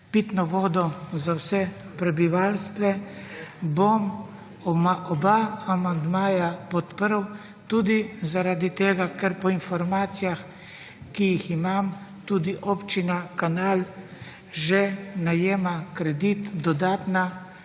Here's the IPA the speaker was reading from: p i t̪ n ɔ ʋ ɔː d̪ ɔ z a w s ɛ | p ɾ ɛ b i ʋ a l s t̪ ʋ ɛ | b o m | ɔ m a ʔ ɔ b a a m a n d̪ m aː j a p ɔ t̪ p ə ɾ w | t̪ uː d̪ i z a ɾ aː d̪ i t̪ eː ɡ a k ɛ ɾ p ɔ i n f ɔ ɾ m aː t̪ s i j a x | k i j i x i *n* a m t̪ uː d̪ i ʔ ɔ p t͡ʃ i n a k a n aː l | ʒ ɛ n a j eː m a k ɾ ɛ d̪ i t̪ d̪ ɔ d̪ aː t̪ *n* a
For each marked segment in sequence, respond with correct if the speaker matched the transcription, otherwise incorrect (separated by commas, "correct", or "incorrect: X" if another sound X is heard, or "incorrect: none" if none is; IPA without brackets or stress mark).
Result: incorrect: m, correct